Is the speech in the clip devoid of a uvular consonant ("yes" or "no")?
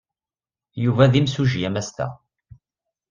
yes